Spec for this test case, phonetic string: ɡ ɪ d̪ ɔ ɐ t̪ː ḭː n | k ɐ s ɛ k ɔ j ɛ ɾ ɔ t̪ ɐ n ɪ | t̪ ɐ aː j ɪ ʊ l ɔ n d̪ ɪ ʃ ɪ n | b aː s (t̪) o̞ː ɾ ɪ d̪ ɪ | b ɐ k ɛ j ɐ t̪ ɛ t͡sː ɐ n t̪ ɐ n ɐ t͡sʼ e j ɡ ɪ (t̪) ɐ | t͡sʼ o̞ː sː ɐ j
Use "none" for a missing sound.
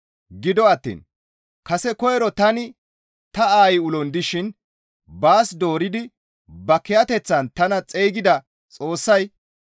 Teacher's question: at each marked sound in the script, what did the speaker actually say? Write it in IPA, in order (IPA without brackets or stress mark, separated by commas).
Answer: d̪, d̪